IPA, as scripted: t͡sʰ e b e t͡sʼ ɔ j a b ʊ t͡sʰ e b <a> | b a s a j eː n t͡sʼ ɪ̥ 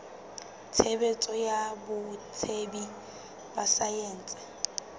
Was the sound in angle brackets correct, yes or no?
no